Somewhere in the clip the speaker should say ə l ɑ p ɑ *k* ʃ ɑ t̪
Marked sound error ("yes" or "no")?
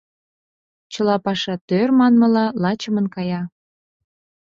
yes